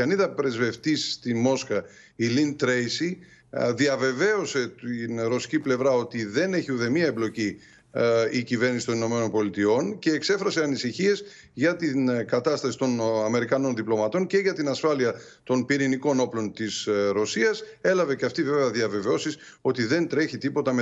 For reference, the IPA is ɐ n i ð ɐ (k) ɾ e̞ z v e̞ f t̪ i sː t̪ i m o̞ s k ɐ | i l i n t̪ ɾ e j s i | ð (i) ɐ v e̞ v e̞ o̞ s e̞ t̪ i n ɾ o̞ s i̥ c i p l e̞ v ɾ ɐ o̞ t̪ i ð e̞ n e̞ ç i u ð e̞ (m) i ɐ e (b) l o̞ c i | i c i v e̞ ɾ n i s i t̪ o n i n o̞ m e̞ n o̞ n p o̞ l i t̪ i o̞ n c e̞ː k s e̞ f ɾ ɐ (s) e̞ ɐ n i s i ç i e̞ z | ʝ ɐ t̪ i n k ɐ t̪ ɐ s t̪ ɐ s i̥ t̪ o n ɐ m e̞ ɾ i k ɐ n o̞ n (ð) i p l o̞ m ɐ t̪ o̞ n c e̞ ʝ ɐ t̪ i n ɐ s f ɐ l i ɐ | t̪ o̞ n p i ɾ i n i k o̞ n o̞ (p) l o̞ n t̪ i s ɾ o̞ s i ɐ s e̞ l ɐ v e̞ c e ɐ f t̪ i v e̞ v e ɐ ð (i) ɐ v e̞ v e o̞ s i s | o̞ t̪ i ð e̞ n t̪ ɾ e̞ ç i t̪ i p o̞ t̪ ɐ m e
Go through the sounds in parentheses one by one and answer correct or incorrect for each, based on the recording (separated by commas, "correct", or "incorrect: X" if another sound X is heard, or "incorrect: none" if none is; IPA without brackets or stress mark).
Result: incorrect: p, correct, correct, correct, correct, correct, correct, correct